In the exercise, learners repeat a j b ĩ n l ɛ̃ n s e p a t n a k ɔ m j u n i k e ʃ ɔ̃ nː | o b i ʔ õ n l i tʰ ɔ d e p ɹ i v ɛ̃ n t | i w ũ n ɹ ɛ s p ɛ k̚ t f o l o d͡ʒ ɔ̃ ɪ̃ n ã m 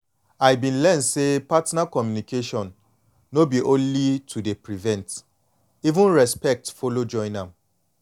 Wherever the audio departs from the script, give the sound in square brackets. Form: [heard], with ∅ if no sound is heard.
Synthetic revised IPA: a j b ĩ n l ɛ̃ n s e p a t n a k ɔ m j u n i k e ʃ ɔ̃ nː | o b i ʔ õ n l i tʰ [u] d e p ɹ i v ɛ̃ n t | i [v] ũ n ɹ ɛ s p ɛ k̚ t f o l o d͡ʒ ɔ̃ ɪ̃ n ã m